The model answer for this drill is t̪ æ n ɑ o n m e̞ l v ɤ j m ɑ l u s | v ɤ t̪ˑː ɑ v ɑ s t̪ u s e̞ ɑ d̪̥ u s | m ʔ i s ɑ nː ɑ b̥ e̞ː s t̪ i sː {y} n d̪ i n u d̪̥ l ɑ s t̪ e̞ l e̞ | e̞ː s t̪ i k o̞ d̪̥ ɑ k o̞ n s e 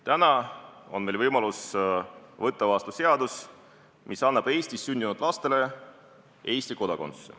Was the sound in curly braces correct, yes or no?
yes